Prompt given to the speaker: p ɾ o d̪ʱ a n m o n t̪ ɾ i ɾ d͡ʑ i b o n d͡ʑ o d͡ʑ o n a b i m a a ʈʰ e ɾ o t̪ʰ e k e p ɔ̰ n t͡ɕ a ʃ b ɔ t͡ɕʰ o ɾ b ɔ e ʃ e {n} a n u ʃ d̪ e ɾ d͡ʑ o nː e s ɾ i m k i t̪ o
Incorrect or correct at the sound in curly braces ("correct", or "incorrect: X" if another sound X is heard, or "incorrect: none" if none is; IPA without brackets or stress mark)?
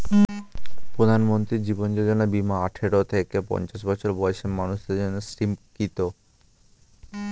incorrect: m